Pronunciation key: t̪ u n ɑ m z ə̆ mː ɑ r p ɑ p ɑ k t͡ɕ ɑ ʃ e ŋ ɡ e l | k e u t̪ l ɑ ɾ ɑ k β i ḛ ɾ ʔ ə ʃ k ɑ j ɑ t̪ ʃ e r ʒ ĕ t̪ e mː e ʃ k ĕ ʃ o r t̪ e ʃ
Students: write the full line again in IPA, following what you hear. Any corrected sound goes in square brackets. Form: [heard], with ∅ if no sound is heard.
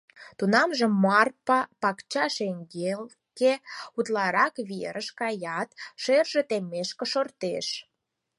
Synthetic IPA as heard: t̪ u n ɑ m [ʒ] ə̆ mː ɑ r p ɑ p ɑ k t͡ɕ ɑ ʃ e ŋ ɡ e l | k e u t̪ l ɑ ɾ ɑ k β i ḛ ɾ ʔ ə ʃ k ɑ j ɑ t̪ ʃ e r ʒ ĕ t̪ e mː e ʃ k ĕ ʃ o r t̪ e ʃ